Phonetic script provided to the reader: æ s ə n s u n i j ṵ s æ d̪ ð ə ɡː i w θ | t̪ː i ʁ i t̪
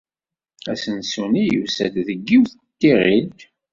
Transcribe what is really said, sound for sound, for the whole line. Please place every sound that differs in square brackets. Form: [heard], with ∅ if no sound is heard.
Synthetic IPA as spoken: æ s ə n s u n i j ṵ s æ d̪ ð ə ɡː i w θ | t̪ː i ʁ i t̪